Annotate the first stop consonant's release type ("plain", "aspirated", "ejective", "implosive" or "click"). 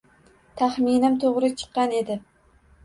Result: aspirated